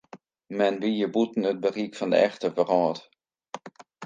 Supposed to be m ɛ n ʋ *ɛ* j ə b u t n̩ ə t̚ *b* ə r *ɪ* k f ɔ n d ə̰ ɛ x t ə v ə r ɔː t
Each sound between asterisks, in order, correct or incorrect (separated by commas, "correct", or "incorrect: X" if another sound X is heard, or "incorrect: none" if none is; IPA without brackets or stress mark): incorrect: i, correct, incorrect: i